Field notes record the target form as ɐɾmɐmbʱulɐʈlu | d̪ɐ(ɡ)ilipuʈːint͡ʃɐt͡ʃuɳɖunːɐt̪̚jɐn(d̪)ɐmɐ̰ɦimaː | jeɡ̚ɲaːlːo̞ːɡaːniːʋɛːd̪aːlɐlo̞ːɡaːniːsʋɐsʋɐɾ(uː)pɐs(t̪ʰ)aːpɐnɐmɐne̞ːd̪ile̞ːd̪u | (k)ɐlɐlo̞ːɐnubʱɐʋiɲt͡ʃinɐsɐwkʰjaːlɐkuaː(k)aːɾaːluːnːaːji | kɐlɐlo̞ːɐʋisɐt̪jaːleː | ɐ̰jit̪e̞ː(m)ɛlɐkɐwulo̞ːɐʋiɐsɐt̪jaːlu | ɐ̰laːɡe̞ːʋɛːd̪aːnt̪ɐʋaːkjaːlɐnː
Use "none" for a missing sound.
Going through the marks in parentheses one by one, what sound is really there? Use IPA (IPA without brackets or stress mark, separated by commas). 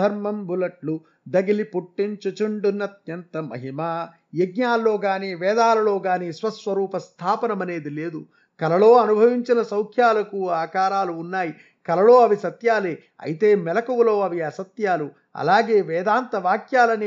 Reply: ɡ, t̪, uː, t̪ʰ, k, k, m